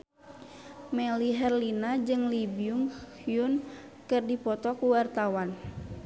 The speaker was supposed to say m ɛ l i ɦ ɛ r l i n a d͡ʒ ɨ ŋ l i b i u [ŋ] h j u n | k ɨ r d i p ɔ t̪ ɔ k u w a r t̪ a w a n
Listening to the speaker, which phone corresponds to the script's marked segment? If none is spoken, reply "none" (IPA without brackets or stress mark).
ŋ